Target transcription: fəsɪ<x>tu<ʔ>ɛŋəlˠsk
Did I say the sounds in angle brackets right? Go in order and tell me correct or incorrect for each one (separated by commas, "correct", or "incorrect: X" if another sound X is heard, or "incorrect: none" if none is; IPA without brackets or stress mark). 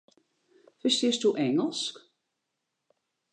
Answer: incorrect: s, correct